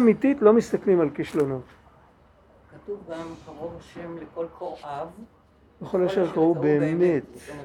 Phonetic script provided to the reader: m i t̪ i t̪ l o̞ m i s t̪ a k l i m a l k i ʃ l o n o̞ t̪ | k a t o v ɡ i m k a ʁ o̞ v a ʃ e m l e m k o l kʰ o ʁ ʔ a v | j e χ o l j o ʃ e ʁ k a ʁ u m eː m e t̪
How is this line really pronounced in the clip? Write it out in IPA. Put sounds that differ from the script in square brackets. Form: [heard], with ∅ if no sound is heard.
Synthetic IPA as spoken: m i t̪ i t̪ l o̞ m i s t̪ a k l i m a l k i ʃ l o n o̞ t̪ | k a t [u] v ɡ [a] m k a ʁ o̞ v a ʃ e m l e [∅] k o l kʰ o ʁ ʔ a v | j e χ o l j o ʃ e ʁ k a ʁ u [b] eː m e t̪